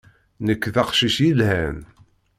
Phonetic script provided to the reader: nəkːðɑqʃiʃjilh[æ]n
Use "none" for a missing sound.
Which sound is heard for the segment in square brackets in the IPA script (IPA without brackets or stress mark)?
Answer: æ